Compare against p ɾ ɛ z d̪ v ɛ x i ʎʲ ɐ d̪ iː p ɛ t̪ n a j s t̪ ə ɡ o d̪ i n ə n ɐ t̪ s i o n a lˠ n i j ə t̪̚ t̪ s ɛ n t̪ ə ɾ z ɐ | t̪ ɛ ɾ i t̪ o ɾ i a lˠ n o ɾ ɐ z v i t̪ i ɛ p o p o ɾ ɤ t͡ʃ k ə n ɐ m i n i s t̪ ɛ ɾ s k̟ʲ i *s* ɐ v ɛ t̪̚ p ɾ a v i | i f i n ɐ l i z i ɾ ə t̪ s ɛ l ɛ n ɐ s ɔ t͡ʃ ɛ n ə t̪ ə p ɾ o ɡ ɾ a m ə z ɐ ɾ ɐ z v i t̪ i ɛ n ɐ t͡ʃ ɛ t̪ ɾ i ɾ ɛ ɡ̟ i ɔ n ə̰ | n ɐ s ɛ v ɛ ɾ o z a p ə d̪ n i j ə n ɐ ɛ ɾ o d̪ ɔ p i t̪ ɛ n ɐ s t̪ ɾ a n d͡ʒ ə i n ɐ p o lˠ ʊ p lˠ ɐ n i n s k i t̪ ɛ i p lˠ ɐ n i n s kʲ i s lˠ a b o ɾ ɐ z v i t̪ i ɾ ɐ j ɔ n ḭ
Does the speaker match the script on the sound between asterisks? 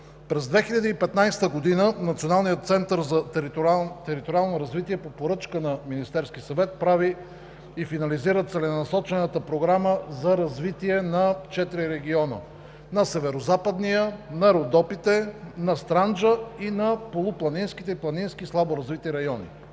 yes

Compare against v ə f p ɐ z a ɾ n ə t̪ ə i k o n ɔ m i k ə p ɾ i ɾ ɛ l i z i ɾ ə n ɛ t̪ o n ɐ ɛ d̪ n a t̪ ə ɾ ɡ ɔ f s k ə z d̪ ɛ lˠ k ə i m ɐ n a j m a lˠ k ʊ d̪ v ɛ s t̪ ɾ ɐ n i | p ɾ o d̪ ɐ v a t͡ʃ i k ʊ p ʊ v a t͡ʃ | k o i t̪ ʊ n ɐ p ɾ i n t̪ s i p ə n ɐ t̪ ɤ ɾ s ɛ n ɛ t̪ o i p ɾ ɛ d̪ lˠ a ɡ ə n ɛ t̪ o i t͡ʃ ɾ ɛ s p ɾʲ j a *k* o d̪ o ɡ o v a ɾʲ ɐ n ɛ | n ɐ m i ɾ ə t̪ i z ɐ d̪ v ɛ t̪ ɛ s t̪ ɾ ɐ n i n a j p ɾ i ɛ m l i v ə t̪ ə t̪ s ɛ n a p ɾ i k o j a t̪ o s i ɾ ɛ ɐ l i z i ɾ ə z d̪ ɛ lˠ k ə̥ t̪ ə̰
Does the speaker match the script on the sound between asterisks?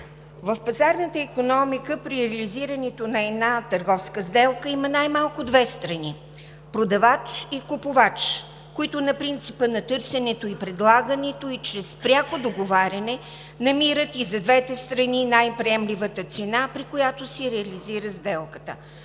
yes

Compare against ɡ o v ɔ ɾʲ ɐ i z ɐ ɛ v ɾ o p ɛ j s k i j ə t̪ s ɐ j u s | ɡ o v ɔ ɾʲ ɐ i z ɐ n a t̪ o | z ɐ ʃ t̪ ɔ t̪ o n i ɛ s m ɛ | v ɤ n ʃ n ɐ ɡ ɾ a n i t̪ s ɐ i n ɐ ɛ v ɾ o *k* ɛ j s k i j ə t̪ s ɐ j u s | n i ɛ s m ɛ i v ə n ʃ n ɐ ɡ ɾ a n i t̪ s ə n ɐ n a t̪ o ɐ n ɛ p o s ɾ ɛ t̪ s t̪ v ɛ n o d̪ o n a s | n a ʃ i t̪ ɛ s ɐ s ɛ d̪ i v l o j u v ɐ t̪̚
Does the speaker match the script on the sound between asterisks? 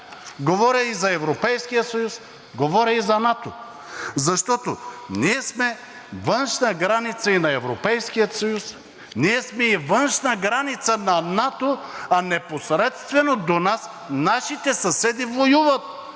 no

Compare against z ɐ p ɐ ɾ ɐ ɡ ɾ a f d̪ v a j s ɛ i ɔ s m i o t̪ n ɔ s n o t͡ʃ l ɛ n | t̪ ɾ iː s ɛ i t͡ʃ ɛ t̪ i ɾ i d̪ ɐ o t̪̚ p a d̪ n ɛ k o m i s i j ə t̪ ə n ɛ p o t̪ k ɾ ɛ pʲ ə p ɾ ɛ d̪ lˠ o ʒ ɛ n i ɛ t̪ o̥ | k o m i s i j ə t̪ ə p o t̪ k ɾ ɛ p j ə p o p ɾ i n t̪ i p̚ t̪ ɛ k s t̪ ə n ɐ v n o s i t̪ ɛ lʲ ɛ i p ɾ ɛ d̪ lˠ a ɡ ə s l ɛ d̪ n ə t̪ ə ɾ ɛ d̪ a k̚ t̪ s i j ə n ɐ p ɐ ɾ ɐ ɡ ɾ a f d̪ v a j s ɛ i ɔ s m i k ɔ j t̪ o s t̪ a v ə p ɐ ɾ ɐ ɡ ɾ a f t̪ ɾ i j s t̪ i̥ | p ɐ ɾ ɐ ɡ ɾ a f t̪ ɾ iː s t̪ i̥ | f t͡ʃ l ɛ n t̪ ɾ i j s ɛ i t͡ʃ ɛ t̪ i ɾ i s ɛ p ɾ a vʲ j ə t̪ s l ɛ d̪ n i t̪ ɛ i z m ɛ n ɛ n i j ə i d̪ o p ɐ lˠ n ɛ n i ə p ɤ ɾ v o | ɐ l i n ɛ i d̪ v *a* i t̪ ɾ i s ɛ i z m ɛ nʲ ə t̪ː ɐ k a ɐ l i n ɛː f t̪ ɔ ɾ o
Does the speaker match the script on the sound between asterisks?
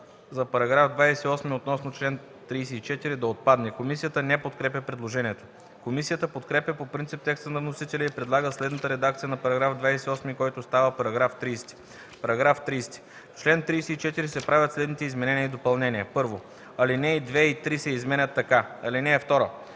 no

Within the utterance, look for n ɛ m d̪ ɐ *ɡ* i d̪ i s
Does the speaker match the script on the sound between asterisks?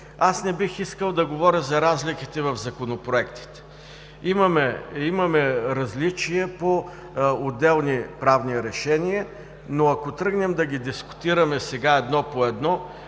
yes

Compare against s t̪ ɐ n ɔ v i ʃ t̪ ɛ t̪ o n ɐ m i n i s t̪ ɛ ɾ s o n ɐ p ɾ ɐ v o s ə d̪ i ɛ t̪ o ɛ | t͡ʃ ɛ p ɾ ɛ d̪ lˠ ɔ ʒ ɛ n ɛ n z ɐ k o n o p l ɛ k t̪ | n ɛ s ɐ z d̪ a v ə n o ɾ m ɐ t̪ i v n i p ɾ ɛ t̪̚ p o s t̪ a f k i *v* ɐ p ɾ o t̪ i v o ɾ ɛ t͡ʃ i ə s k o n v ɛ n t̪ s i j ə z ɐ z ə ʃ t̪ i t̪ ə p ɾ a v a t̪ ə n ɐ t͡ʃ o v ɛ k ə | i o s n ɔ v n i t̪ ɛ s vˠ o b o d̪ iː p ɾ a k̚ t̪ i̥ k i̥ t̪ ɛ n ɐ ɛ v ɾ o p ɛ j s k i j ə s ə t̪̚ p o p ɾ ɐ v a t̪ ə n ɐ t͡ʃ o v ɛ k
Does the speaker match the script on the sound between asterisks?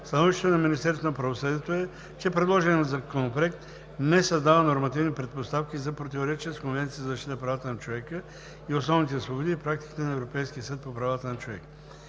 no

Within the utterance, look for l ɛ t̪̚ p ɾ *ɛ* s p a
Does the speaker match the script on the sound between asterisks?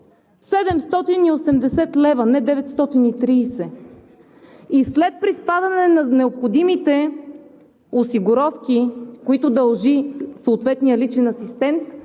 no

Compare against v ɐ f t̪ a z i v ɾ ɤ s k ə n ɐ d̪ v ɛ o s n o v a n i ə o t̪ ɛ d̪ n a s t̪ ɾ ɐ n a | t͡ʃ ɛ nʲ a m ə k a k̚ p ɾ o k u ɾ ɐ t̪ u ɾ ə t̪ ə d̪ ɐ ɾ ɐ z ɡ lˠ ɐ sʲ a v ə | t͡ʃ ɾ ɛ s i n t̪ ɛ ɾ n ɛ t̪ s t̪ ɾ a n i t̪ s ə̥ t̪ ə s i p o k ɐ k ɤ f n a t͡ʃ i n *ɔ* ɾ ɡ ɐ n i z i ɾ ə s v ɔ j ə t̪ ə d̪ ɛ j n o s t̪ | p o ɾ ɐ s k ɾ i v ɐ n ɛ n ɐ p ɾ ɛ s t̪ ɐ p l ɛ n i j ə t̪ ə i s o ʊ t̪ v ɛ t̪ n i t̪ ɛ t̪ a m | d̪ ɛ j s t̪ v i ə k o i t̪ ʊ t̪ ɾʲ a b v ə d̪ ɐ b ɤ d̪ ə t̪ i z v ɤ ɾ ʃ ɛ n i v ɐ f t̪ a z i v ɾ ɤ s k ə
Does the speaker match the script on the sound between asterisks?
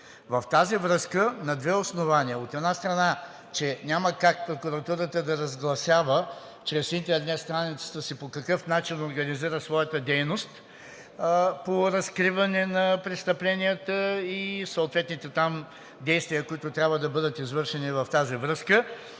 no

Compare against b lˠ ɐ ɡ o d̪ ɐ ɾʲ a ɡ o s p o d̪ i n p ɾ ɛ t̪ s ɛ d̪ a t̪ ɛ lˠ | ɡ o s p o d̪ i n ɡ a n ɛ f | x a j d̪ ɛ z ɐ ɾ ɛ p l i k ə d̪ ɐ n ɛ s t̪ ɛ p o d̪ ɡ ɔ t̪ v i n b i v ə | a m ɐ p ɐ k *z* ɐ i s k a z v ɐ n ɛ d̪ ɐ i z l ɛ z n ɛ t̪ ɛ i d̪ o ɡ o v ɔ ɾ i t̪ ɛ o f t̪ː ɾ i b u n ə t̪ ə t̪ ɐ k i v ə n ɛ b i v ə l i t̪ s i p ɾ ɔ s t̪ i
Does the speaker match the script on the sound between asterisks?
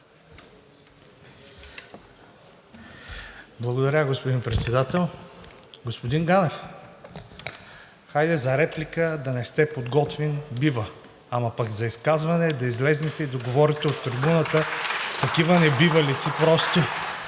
yes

